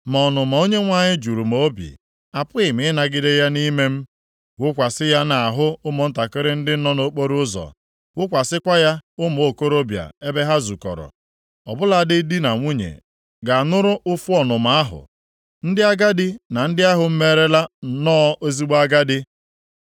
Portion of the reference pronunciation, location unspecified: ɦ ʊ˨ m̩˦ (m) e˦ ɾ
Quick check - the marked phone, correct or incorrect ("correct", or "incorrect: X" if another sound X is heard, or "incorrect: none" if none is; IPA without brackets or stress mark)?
correct